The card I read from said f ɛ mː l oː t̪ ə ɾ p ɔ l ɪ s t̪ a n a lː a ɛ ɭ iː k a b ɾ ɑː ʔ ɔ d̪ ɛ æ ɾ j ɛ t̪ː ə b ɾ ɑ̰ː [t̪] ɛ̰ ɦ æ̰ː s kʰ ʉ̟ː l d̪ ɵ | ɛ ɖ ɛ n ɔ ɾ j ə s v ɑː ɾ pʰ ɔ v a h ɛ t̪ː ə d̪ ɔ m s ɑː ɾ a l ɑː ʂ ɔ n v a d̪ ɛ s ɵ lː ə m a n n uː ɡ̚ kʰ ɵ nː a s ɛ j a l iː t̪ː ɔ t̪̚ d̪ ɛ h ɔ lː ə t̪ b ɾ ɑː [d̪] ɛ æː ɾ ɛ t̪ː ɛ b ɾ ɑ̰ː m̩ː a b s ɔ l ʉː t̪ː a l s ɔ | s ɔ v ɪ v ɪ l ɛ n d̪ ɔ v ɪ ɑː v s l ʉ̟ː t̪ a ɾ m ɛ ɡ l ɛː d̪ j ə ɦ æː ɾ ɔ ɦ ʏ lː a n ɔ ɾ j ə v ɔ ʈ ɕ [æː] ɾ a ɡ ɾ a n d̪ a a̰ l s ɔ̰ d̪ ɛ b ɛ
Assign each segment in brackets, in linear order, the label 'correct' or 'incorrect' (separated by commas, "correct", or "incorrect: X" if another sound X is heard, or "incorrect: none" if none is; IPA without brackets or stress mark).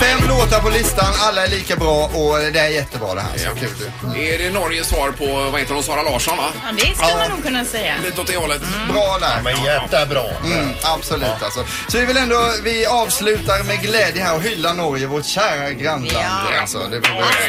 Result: incorrect: d̪, correct, correct